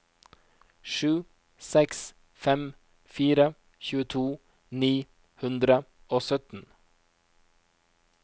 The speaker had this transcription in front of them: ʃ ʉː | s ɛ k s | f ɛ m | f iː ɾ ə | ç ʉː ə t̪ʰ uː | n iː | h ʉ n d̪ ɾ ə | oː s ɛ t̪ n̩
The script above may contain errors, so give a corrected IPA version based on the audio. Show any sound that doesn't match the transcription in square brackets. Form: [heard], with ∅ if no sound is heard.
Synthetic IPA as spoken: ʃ ʉː | s ɛ k s | f ɛ m | f iː ɾ ə | ç ʉː ə t̪ʰ uː | n iː | h ʉ n d̪ ɾ ə | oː s [œ] t̪ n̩